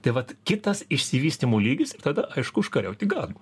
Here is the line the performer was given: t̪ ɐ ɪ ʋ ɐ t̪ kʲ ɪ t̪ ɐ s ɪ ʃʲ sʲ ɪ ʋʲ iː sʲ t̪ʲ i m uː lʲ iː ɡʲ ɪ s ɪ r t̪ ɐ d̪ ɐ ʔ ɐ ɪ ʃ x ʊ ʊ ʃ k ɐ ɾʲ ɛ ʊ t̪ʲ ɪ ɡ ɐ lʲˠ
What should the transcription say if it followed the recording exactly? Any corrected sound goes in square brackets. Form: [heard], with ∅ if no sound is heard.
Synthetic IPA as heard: t̪ ɐ ɪ ʋ ɐ t̪ kʲ ɪ t̪ ɐ s ɪ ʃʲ sʲ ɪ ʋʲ iː sʲ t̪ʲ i m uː lʲ iː ɡʲ ɪ s ɪ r t̪ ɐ d̪ ɐ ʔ ɐ ɪ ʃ [k] ʊ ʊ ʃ k ɐ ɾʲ ɛ ʊ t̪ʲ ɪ ɡ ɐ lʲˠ